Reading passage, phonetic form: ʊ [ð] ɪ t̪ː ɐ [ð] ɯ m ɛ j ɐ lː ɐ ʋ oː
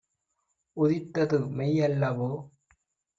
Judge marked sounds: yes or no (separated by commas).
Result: yes, yes